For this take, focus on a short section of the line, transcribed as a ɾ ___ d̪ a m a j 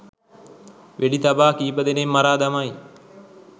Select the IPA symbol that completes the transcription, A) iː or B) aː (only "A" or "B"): B